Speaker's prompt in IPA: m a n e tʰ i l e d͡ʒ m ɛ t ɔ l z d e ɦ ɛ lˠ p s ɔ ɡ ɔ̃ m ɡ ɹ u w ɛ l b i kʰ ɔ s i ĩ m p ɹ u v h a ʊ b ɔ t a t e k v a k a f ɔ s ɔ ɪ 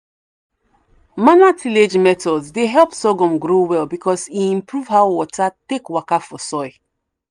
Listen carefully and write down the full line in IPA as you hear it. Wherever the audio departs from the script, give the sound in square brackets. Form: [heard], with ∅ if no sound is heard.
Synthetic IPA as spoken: m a n [a] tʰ i l e d͡ʒ m ɛ t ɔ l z d e ɦ ɛ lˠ p s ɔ ɡ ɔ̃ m ɡ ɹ [o] w ɛ l b i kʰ ɔ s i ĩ m p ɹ u v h a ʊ [w] ɔ t a t e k [w] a k a f ɔ s ɔ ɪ